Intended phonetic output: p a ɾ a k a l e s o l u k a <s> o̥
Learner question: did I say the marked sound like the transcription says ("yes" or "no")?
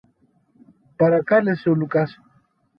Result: yes